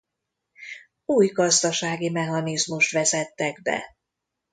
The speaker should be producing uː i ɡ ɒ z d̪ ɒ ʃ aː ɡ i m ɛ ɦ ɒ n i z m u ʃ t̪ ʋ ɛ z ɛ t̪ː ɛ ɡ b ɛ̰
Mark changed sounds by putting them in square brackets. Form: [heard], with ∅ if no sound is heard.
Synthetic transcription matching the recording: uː [j] ɡ ɒ z d̪ ɒ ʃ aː ɡ i m ɛ ɦ ɒ n i z m u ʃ t̪ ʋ ɛ z ɛ t̪ː ɛ ɡ b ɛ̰